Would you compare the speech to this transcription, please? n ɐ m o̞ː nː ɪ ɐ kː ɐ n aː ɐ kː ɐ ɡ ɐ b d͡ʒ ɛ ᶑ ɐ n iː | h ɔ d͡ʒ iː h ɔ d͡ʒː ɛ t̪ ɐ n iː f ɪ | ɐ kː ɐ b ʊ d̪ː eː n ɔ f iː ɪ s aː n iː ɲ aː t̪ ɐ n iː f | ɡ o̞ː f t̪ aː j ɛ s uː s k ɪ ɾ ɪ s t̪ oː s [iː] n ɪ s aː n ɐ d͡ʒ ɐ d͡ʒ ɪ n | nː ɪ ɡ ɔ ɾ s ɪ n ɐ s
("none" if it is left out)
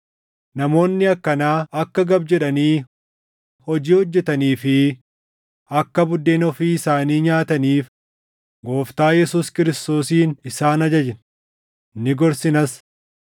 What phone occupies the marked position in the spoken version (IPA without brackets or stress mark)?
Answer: iː